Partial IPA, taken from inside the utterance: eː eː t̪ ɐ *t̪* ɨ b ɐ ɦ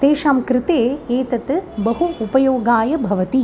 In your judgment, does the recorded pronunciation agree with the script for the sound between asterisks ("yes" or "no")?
yes